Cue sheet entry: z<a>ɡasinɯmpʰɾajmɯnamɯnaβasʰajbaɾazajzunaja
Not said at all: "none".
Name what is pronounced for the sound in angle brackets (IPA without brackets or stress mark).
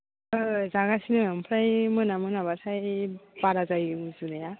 a